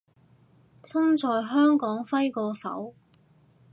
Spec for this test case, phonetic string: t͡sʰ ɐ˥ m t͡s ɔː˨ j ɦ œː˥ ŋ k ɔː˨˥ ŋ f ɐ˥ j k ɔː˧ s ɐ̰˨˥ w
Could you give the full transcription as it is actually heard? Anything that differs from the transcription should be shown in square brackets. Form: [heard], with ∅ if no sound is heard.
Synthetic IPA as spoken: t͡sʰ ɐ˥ [n] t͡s ɔː˨ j ɦ œː˥ ŋ k ɔː˨˥ ŋ f ɐ˥ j k ɔː˧ s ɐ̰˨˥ w